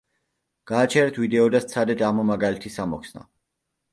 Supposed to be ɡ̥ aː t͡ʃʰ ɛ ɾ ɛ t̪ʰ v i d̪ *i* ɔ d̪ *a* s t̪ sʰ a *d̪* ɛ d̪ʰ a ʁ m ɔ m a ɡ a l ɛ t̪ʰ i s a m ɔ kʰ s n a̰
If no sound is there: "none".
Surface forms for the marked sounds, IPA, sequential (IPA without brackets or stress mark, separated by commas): ɛ, a, d̪